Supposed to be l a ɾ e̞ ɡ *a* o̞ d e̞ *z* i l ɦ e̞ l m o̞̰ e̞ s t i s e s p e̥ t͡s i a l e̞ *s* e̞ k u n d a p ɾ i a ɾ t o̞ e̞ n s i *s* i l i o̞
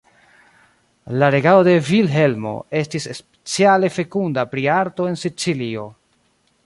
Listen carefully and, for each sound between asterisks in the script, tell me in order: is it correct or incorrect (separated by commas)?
correct, incorrect, incorrect, incorrect